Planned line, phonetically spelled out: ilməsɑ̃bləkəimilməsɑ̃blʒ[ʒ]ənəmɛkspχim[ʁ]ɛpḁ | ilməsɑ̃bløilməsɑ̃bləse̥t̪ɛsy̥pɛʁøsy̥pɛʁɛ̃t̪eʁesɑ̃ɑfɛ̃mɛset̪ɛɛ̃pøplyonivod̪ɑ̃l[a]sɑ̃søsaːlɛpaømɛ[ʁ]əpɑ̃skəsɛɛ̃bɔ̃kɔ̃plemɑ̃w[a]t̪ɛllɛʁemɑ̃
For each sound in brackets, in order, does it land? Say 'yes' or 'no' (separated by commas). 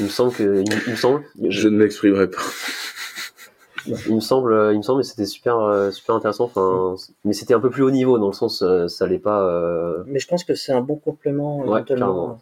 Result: yes, yes, no, no, no